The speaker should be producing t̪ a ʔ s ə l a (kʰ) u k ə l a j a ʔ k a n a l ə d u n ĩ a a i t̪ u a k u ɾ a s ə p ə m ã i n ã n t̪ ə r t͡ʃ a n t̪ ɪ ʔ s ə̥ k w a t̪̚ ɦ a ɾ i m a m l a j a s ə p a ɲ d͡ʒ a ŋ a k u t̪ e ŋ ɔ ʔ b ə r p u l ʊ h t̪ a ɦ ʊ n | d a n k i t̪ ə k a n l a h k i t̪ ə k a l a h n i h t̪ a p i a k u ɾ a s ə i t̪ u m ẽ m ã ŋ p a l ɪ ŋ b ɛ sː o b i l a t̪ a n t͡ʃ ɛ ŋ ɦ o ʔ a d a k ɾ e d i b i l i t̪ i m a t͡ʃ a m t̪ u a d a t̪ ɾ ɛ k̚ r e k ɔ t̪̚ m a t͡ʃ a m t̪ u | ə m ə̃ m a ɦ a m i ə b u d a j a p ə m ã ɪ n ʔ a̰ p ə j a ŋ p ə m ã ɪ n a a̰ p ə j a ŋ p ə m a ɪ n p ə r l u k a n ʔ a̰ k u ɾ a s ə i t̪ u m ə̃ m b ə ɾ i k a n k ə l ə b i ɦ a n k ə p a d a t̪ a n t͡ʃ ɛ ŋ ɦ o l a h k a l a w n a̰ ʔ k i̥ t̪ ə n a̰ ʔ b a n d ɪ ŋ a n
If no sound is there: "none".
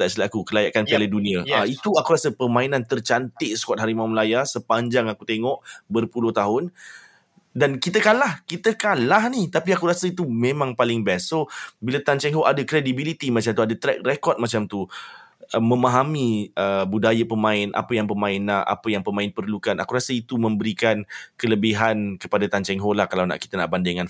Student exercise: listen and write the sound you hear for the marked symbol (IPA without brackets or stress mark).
k